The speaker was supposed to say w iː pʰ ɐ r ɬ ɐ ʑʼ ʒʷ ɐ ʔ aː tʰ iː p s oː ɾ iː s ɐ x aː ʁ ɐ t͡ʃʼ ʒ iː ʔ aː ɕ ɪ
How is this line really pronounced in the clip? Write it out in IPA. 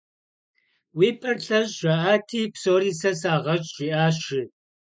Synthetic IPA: w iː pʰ ɐ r ɬ ɐ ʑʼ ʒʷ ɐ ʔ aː tʰ iː p s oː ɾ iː s ɐ s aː ʁ ɐ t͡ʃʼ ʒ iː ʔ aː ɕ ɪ

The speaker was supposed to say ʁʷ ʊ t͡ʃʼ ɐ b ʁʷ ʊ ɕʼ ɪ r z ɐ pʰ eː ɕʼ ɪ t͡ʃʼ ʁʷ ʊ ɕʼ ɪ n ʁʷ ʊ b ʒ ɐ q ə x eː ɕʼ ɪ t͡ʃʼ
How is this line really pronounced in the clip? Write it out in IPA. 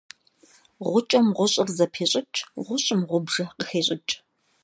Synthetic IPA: ʁʷ ʊ t͡ʃʼ ɐ m ʁʷ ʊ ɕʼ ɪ r z ɐ pʰ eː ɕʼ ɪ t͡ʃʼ ʁʷ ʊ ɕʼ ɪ m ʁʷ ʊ b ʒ ɐ q ə x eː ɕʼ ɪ t͡ʃʼ

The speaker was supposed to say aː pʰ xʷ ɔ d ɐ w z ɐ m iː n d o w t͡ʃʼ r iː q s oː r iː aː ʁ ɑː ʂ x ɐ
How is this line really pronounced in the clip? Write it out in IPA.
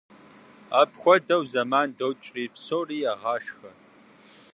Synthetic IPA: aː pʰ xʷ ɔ d ɐ w z ɐ m aː n d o w t͡ʃʼ r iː p s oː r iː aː ʁ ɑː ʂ x ɐ

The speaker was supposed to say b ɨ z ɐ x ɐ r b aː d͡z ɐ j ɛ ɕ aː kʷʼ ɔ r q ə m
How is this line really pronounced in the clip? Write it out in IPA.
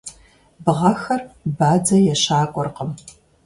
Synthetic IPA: b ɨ ʁ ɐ x ɐ r b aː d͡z ɐ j ɛ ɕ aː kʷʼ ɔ r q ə m

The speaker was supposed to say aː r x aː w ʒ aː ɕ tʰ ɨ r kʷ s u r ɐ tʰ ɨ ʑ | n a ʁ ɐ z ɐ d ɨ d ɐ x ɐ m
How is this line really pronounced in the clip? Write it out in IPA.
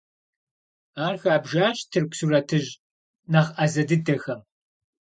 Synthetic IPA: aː r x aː b ʒ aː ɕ tʰ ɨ r kʷ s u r ɐ tʰ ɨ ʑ | n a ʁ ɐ z ɐ d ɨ d ɐ x ɐ m

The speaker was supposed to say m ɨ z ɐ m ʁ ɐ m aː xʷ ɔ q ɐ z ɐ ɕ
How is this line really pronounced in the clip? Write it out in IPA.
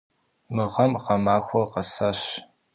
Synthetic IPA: m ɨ ʁ ɐ m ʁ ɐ m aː xʷ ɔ q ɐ s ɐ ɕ

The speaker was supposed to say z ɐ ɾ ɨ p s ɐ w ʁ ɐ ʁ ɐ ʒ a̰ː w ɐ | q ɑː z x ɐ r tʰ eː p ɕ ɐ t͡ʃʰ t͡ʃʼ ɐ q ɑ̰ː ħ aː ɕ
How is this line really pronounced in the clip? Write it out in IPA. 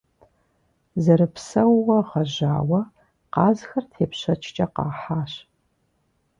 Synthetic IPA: z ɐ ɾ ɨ p s ɐ w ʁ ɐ ʁ ɐ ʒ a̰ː w ɐ | q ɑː z x ɐ r tʰ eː p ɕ ɐ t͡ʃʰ t͡ʃʼ ɐ q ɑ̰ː ħ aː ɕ

